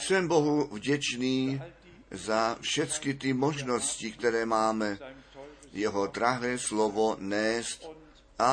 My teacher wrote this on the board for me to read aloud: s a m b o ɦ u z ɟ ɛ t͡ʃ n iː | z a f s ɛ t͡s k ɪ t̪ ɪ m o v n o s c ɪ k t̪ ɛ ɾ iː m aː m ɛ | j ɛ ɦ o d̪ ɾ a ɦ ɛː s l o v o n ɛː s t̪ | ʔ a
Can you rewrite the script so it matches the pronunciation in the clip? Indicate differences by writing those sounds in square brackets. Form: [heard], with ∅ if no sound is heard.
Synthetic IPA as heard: s [ɛ] m b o ɦ u [v] ɟ ɛ t͡ʃ n iː | z a f [ʃ] ɛ t͡s k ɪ t̪ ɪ m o [ʒ] n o s c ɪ k t̪ ɛ ɾ [ɛː] m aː m ɛ | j ɛ ɦ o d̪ ɾ a ɦ ɛː s l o v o n ɛː s t̪ | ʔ a